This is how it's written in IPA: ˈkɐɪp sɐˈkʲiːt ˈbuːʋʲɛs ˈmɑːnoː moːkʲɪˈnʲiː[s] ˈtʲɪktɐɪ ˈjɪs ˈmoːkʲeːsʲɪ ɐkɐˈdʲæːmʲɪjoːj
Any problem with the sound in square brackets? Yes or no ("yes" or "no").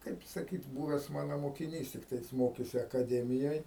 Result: no